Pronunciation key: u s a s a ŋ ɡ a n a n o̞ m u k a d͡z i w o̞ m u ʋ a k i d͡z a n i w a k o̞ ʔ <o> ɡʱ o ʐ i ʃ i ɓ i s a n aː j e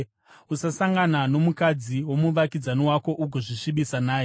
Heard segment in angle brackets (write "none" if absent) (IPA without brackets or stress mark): u